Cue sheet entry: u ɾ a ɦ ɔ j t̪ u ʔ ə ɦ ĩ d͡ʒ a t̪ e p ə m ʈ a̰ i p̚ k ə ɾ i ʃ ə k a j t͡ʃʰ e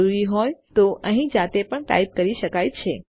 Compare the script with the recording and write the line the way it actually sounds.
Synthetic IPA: u ɾ i ɦ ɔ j t̪ o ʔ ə ɦ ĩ d͡ʒ a t̪ e p ə ɳ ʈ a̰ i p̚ k ə ɾ i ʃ ə k a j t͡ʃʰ e